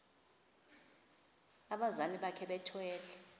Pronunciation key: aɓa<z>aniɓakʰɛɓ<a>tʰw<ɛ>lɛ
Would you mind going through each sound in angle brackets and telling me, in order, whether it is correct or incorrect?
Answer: correct, incorrect: ɛ, incorrect: ɛː

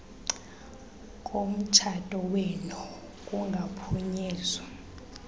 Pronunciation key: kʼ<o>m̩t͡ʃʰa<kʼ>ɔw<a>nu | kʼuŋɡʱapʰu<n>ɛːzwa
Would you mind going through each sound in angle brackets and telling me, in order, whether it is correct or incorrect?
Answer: correct, incorrect: tʼ, incorrect: e, incorrect: ɲ

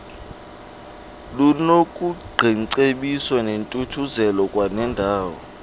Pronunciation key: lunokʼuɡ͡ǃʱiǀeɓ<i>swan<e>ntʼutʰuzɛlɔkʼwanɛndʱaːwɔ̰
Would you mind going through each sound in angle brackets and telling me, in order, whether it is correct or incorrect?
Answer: correct, correct

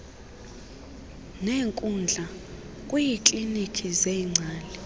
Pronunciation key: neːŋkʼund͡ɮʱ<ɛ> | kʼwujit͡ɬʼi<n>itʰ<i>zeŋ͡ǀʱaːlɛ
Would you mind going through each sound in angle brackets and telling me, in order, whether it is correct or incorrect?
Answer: incorrect: a, correct, correct

